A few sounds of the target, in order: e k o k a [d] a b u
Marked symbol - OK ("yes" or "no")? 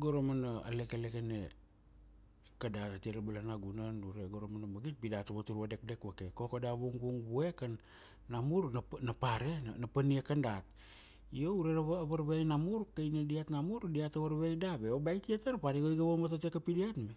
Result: yes